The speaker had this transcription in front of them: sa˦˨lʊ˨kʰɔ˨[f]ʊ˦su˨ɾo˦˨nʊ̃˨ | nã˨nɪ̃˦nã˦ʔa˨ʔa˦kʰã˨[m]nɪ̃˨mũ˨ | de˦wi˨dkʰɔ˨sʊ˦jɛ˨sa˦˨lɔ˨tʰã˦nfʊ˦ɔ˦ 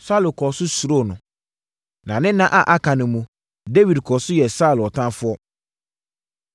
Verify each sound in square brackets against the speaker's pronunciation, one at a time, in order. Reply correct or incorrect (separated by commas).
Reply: incorrect, incorrect